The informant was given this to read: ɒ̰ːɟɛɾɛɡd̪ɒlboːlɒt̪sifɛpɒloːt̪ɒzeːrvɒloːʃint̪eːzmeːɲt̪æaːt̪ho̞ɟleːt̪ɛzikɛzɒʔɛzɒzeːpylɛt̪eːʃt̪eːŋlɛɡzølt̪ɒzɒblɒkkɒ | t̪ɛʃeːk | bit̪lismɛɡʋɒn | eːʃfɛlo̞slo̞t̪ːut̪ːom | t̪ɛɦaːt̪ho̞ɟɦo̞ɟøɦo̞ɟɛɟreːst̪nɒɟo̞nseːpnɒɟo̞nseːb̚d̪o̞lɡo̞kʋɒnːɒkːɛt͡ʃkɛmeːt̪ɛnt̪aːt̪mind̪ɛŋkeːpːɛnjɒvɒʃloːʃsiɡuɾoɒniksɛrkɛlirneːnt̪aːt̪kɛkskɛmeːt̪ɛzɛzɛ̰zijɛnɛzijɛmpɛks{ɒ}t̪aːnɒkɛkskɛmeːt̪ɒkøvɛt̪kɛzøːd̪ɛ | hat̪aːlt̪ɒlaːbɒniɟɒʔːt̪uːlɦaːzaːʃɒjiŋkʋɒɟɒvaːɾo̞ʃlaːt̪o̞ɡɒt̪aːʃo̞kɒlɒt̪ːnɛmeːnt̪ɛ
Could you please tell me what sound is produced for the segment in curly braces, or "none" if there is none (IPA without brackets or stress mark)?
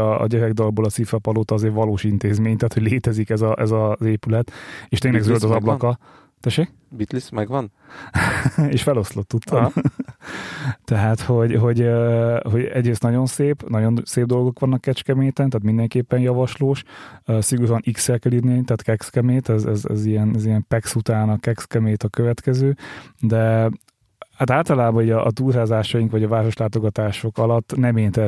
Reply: u